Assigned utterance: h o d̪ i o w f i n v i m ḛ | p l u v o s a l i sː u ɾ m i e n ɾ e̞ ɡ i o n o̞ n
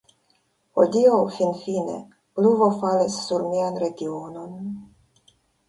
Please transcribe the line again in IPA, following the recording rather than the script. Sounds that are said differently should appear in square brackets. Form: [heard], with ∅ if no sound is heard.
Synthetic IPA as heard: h o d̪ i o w f i n [f] i [n] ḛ | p l u v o [f] a l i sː u ɾ m i [a] n ɾ e̞ ɡ i o n o̞ n